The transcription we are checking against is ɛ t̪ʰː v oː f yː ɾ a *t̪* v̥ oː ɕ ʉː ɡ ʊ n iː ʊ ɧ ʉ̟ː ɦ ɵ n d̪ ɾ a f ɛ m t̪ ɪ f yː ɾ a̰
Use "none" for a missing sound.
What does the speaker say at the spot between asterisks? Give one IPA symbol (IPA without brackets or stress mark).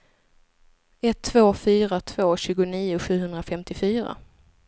t̪ʰ